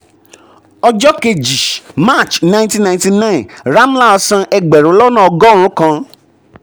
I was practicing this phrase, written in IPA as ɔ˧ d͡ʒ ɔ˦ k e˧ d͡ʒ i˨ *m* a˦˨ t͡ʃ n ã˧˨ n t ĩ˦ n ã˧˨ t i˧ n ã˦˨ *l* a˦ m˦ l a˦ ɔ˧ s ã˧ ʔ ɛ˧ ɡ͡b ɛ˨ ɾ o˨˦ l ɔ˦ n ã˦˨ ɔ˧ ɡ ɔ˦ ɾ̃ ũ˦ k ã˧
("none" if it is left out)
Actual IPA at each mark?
m, ɾ

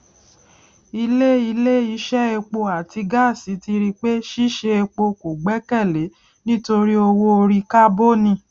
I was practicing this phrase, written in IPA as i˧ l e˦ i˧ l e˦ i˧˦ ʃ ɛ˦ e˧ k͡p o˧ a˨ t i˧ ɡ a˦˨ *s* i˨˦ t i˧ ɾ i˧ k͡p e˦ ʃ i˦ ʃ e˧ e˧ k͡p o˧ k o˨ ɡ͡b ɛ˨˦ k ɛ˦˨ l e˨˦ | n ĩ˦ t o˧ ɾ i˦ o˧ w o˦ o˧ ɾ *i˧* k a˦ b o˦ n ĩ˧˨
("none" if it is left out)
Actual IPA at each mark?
s, i˧

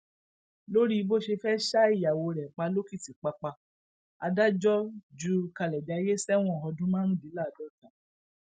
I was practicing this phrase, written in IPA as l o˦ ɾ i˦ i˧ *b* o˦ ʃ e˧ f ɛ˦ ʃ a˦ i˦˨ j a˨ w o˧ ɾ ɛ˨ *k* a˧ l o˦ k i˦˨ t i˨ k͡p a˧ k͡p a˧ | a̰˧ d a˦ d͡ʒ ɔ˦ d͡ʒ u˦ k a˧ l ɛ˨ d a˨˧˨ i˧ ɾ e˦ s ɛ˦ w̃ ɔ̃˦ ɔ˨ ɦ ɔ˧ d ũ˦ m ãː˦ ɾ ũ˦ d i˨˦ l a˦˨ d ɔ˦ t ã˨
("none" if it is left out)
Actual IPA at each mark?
b, k͡p

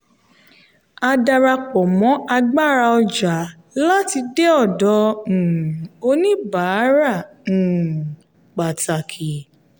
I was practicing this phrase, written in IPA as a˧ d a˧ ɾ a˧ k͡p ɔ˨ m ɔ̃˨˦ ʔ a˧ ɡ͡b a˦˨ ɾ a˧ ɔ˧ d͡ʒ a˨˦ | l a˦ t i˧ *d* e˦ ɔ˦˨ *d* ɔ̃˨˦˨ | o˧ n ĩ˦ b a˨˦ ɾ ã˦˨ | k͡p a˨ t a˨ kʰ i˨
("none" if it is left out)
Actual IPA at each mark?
d, d

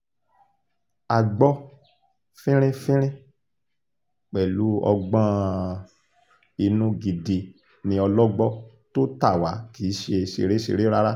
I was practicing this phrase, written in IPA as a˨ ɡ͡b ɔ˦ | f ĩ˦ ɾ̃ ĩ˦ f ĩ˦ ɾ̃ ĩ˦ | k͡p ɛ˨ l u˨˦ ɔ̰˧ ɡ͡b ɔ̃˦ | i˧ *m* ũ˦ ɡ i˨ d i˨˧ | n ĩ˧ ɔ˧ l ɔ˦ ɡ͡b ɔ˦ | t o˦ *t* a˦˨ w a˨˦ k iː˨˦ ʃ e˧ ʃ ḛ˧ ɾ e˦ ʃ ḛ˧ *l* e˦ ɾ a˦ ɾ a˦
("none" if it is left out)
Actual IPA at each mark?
n, t, ɾ

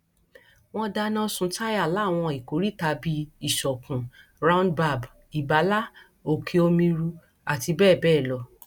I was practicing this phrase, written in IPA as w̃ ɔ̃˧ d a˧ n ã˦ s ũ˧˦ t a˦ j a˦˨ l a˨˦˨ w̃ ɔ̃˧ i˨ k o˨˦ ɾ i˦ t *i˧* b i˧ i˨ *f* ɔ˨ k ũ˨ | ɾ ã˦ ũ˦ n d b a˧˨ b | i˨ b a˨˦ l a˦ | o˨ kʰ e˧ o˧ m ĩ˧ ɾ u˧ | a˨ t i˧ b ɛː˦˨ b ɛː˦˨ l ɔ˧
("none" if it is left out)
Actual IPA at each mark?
a˧, ʃ

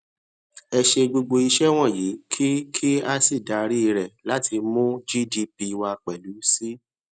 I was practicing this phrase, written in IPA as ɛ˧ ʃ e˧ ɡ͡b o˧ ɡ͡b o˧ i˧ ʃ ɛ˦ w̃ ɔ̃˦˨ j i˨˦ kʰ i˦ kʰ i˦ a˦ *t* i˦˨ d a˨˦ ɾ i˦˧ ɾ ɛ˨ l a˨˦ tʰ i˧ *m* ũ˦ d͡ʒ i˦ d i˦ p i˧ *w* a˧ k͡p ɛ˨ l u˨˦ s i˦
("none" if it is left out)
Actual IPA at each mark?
s, m, w

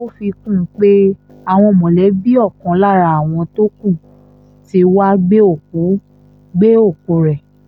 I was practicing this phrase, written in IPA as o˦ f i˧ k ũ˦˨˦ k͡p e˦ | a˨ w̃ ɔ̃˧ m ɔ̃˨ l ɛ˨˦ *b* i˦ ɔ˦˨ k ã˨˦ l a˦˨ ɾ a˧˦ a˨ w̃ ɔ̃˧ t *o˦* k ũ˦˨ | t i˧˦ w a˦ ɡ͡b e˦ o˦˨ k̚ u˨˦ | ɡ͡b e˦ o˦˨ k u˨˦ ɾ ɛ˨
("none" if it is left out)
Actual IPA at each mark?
b, o˦

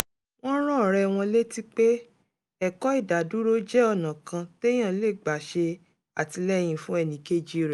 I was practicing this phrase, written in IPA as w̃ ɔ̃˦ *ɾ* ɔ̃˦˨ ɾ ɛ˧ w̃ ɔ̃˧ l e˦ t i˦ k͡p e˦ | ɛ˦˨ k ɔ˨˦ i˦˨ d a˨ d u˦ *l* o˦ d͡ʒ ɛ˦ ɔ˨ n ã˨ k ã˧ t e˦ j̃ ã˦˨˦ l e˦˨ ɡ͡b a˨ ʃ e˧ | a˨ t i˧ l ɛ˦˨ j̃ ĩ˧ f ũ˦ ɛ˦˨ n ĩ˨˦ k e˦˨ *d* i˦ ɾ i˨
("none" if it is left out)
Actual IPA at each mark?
ɾ, ɾ, d͡ʒ

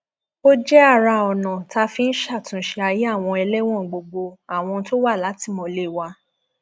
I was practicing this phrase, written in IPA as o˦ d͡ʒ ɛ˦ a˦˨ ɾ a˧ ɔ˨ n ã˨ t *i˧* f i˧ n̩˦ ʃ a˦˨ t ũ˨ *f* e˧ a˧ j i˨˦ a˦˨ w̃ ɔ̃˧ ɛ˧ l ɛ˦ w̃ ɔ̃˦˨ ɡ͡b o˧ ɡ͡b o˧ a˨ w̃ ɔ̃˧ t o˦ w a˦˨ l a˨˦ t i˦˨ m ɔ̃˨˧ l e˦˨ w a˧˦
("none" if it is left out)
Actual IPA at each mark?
a˧, ʃ

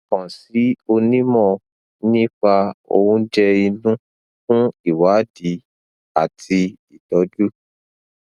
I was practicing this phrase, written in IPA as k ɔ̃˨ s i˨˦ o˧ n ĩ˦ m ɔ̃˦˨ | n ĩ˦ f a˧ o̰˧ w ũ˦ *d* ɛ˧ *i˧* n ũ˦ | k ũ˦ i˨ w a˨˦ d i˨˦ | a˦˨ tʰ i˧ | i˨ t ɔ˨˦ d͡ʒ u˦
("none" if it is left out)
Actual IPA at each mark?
d͡ʒ, i˧

